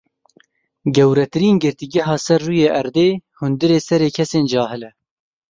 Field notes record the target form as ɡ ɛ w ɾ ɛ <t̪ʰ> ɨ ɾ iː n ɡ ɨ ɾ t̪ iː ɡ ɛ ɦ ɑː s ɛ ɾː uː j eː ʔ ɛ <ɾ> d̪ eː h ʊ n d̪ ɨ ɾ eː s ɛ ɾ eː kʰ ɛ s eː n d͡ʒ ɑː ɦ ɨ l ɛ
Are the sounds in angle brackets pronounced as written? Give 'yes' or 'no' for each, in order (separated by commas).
no, yes